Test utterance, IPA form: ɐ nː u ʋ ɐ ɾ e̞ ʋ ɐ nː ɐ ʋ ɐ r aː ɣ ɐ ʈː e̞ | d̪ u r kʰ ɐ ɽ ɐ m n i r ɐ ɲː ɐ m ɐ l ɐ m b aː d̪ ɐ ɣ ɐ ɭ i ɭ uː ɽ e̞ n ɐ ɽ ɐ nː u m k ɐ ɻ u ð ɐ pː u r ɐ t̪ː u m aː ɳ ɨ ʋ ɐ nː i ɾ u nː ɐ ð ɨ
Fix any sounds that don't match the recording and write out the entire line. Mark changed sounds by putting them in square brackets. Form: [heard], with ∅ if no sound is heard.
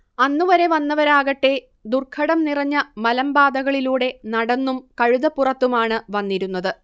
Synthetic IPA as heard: ɐ nː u ʋ ɐ ɾ e̞ ʋ ɐ nː ɐ ʋ ɐ [ɾ] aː ɣ ɐ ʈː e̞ | d̪ u r kʰ ɐ ɽ ɐ m n i r ɐ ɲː ɐ m ɐ l ɐ m b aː d̪ ɐ ɣ ɐ ɭ i [l] uː ɽ e̞ n ɐ ɽ ɐ nː u m k ɐ ɻ u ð ɐ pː u r ɐ t̪ː u m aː ɳ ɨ ʋ ɐ nː i ɾ u nː ɐ ð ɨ